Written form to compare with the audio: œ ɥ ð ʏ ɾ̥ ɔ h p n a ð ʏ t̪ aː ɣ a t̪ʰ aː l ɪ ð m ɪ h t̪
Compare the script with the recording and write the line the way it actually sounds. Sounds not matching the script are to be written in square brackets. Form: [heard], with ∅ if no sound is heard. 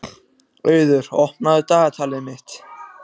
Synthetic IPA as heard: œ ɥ ð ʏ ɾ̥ ɔ h p n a ð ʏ t̪ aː ɣ a t̪ʰ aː l ɪ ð m ɪ h t̪